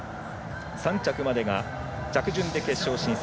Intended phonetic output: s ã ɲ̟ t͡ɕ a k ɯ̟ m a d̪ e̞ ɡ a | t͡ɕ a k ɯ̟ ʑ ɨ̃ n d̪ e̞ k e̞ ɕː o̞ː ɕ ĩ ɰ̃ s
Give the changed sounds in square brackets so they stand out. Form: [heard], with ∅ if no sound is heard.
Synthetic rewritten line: s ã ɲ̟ t͡ɕ a k ɯ̟ m a d̪ e̞ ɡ a | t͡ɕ a k ɯ̟ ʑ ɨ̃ n d̪ e̞ k e̞ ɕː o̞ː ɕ ĩ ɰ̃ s

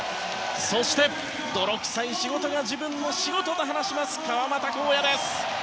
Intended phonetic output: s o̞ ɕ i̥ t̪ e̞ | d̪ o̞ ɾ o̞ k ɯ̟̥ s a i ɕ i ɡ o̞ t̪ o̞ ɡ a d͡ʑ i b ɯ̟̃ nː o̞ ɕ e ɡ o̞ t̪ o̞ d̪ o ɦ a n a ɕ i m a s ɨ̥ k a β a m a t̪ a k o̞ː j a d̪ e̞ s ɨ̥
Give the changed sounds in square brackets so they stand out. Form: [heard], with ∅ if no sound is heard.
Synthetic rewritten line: s o̞ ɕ i̥ t̪ e̞ | d̪ o̞ ɾ o̞ k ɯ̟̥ s a i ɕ i ɡ o̞ t̪ o̞ ɡ a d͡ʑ i b ɯ̟̃ nː o̞ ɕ [i] ɡ o̞ t̪ o̞ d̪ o ɦ a n a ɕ i m a s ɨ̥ k a β a m a t̪ a k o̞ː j a d̪ e̞ s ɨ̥

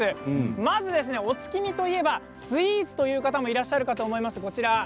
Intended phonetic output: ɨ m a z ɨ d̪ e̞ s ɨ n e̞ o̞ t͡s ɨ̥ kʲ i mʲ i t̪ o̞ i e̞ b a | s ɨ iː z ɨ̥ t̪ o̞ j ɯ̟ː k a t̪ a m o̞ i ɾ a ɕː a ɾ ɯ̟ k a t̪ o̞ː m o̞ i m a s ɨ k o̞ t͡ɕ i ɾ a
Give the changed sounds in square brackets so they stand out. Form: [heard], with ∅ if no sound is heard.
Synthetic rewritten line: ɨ m a z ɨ d̪ e̞ s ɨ n e̞ o̞ t͡s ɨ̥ kʲ i mʲ i t̪ o̞ i e̞ b a | s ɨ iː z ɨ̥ t̪ o̞ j ɯ̟ː k a t̪ a m o̞ i ɾ a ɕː a ɾ ɯ̟ k a t̪ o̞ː m o̞ i m a s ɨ k o̞ t͡ɕ i ɾ a

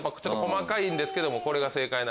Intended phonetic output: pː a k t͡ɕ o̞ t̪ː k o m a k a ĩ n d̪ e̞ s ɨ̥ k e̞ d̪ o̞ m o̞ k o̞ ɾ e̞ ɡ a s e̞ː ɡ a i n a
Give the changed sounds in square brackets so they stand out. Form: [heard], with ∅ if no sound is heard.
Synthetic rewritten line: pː a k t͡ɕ o̞ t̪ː k o m a k a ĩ n d̪ e̞ s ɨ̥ k e̞ d̪ o̞ m o̞ k o̞ ɾ e̞ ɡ a s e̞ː [k] a i n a

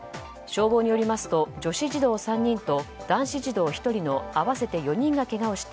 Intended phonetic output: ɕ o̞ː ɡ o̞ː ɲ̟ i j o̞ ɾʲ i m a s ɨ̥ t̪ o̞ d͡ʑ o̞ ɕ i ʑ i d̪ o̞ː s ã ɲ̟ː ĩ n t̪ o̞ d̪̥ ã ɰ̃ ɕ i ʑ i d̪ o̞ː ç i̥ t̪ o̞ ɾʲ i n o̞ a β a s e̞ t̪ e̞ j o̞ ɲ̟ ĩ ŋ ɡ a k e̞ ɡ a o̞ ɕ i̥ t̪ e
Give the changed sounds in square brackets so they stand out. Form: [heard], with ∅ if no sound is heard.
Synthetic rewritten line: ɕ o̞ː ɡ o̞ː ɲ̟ i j o̞ ɾʲ i m a s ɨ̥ t̪ o̞ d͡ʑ o̞ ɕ i ʑ i d̪ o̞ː s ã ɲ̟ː ĩ n t̪ o̞ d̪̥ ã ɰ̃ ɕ i ʑ i d̪ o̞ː ç i̥ t̪ o̞ ɾʲ i n o̞ a β a s e̞ t̪ e̞ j o̞ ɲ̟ ĩ ŋ ɡ a k e̞ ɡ a o̞ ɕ i̥ t̪ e

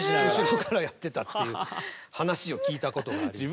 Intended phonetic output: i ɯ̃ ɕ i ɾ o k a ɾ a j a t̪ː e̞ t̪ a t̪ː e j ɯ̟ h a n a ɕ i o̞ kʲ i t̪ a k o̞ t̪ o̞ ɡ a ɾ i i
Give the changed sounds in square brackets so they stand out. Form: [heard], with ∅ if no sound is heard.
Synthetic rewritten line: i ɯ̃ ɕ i ɾ o k a ɾ a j a t̪ː e̞ t̪ a t̪ː e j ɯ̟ h a n a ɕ i o̞ kʲ [iː] t̪ a k o̞ t̪ o̞ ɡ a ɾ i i

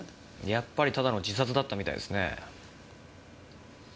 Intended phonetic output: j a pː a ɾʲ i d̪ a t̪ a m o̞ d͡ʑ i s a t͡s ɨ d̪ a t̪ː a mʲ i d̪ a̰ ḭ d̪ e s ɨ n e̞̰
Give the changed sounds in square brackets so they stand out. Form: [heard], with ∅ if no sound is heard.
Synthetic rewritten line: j a pː a ɾʲ i [t̪] a [d̪] a [n] o̞ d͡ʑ i s a t͡s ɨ d̪ a t̪ː a mʲ i [t̪] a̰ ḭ d̪ e s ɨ n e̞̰

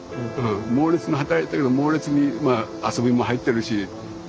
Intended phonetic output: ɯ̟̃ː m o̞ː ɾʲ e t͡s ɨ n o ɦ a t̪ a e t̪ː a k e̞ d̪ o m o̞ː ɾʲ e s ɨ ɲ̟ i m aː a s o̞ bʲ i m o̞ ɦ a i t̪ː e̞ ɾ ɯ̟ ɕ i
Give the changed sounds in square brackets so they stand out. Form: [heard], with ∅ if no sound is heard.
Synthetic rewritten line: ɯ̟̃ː m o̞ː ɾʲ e t͡s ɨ n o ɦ a t̪ a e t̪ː a k e̞ d̪ o m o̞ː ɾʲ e [t͡s] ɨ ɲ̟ i m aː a s o̞ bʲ i m o̞ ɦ a i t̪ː e̞ ɾ ɯ̟ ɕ i

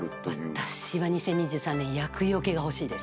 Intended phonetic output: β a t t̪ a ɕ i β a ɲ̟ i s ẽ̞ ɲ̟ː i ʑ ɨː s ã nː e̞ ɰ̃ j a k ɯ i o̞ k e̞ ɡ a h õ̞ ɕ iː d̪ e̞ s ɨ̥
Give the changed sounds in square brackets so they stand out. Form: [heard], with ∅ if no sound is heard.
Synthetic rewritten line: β a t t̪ a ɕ i β a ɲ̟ i s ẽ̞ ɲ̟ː i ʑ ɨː s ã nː [ẽ̞] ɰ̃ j a k ɯ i o̞ k e̞ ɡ a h [o̞] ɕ iː d̪ e̞ s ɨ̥

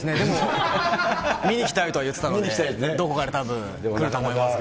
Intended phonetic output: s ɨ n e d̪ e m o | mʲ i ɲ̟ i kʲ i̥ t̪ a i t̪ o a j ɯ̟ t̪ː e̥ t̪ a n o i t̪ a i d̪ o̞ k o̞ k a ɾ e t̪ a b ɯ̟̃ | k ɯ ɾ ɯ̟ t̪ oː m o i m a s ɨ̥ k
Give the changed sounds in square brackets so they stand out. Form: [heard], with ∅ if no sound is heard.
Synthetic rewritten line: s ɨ n e d̪ e m o | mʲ i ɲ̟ i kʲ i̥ t̪ a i t̪ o a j ɯ̟ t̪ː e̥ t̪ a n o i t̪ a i d̪ o̞ k o̞ k a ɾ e t̪ a b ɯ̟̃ | k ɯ ɾ ɯ̟ t̪ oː m o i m a s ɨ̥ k

